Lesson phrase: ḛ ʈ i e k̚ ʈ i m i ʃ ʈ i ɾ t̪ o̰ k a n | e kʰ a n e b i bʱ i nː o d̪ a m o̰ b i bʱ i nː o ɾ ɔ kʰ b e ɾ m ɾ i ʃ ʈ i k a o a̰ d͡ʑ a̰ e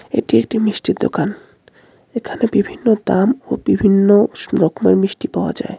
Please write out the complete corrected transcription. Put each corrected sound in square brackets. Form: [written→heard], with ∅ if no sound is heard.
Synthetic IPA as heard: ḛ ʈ i e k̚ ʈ i m i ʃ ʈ i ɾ [t̪→d̪] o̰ k a n | e kʰ a n e b i bʱ i nː o d̪ a m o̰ b i bʱ i nː o ɾ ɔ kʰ [b→m] e ɾ m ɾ i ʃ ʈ i [k→p] a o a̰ d͡ʑ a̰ e